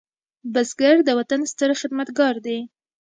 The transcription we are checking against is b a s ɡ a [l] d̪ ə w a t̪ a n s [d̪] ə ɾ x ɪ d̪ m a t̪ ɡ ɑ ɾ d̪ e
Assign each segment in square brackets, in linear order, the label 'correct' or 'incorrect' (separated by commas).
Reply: incorrect, incorrect